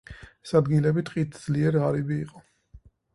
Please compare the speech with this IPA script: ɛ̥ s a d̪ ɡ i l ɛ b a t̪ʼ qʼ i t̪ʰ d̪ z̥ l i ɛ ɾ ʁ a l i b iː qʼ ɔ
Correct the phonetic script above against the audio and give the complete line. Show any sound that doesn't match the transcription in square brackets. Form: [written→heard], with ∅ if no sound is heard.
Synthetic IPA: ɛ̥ s a d̪ ɡ i l ɛ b [a→i] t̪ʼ qʼ i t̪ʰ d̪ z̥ l i ɛ ɾ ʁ a [l→ɾ] i b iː qʼ ɔ